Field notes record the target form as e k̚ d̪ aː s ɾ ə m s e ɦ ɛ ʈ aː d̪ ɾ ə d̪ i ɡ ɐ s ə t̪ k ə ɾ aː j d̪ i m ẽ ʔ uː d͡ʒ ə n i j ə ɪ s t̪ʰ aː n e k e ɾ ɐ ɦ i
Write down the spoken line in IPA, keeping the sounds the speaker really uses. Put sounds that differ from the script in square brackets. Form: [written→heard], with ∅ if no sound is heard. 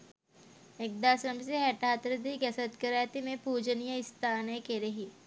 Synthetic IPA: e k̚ d̪ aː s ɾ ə m s e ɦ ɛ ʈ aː [d̪→t̪] ɾ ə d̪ i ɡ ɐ s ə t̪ k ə ɾ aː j [d̪→t̪] i m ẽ [ʔ→p] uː d͡ʒ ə n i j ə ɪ s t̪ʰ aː n e k e ɾ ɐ ɦ i